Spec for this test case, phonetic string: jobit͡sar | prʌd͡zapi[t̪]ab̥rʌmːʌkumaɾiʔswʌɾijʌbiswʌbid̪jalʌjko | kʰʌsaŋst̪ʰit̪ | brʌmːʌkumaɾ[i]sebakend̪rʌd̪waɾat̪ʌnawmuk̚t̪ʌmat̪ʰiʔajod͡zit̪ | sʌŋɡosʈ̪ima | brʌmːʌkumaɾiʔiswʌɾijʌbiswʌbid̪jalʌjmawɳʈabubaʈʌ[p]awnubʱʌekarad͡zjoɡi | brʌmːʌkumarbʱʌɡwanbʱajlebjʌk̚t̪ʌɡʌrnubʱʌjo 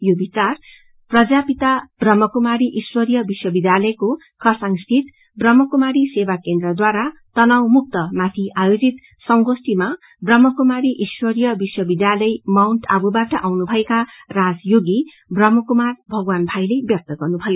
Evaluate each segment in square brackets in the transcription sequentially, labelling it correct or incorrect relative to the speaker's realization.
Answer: correct, correct, incorrect: ʔ

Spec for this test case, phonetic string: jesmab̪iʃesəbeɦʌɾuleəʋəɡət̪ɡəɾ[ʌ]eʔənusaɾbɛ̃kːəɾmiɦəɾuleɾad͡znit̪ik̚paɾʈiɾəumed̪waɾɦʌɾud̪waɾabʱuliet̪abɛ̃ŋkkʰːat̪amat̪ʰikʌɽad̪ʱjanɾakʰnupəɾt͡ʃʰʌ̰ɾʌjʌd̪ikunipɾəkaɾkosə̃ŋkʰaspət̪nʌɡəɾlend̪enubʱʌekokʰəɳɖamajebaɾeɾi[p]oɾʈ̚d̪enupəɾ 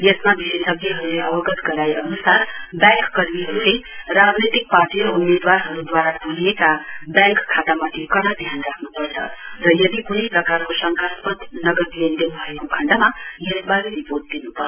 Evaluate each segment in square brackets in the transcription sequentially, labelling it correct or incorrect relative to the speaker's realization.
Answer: incorrect: a, correct

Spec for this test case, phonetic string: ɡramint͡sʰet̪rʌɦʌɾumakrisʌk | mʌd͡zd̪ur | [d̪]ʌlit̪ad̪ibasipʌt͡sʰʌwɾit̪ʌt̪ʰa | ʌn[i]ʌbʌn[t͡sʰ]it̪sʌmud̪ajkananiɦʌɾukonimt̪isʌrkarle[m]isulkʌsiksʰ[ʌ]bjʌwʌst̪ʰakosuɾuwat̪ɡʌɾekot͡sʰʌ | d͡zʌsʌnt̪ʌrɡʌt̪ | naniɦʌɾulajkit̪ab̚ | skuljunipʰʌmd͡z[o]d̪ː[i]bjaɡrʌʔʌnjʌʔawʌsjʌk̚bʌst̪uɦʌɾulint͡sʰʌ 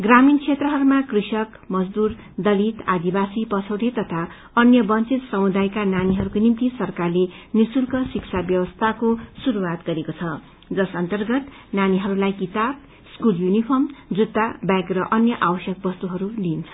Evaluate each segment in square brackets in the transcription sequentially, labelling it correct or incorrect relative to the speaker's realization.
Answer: correct, incorrect: j, incorrect: t͡s, incorrect: n, incorrect: a, incorrect: u, incorrect: a

